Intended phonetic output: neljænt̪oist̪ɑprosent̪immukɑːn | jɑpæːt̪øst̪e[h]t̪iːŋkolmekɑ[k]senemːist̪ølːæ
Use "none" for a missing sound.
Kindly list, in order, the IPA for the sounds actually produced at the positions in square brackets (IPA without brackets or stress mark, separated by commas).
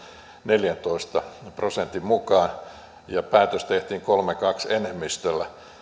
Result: h, k